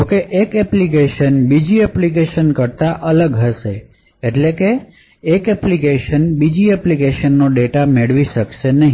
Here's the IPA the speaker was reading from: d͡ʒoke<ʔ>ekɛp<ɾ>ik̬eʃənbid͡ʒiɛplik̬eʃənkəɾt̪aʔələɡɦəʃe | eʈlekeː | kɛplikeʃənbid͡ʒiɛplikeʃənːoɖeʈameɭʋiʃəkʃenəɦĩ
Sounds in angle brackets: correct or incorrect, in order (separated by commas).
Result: correct, incorrect